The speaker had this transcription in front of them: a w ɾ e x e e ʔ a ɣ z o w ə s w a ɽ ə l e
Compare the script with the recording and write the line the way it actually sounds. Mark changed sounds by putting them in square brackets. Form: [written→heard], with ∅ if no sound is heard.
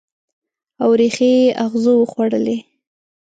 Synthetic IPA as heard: a w ɾ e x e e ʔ a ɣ z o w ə [s→x] w a ɽ ə l e